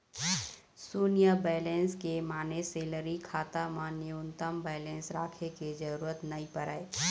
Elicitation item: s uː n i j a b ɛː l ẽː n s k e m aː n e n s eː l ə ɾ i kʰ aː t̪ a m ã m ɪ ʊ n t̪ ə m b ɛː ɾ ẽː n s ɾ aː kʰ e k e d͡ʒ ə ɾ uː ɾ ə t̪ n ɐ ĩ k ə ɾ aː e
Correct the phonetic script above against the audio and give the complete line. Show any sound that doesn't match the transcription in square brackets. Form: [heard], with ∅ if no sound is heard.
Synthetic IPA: s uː n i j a b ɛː l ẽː n s k e m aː n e [∅] s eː l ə ɾ i kʰ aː t̪ a m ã [n] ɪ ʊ n t̪ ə m b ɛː [l] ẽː n s ɾ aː kʰ e k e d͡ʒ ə ɾ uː ɾ ə t̪ n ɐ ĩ [p] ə ɾ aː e